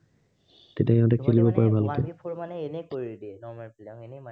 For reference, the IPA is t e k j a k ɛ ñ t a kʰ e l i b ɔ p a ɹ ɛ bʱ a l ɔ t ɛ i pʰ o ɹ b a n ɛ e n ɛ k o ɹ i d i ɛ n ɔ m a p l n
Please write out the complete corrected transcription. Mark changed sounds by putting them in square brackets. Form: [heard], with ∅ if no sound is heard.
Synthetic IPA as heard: t e [t] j a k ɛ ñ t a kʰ e l i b ɔ p a ɹ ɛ bʱ a l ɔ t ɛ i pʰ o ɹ [m] a n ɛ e n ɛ k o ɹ i d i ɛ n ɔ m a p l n